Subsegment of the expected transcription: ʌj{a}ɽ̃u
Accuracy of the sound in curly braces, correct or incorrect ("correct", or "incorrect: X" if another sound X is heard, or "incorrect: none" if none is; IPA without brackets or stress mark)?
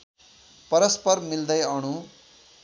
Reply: incorrect: ʌ